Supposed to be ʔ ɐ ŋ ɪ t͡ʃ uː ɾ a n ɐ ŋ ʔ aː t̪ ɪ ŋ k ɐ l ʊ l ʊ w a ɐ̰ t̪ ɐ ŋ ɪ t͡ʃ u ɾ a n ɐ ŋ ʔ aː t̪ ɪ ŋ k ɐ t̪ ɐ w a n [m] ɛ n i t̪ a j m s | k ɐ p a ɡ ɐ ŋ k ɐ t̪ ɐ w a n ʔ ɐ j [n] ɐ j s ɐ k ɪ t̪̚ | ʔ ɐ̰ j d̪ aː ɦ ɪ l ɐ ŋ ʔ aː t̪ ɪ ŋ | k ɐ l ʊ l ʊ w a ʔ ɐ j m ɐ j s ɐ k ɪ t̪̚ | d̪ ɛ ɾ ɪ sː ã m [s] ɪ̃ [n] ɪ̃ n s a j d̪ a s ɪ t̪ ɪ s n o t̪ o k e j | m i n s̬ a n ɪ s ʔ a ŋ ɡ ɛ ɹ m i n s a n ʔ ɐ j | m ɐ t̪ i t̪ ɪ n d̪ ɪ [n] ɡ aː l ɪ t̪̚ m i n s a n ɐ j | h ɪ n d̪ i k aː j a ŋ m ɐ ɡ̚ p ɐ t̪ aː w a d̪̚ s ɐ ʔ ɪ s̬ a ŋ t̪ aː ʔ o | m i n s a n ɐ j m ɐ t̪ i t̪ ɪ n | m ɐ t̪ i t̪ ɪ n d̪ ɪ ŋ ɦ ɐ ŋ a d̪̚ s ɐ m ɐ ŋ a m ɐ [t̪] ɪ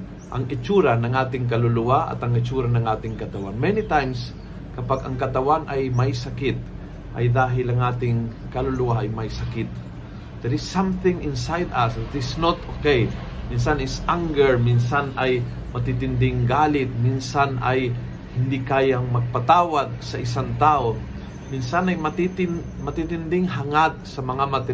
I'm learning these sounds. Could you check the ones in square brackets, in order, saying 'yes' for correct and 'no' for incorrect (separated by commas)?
yes, no, no, no, no, yes